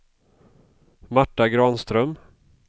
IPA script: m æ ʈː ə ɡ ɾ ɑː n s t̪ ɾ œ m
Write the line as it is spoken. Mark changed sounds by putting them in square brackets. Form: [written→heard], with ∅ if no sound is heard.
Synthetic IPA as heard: m [æ→a] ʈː [ə→a] ɡ ɾ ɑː n s t̪ ɾ œ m